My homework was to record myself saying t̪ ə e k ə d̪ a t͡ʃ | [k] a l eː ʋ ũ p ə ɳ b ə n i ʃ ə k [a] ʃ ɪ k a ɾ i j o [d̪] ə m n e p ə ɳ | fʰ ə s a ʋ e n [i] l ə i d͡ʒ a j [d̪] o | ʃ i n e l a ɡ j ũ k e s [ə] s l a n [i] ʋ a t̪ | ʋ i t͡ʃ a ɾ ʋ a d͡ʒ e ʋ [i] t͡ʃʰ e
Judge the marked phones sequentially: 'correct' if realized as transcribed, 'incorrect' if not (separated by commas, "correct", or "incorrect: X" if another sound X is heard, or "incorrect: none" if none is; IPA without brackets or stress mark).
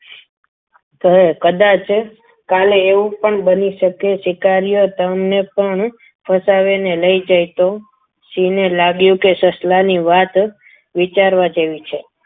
correct, incorrect: e, incorrect: t̪, incorrect: e, incorrect: t̪, correct, correct, correct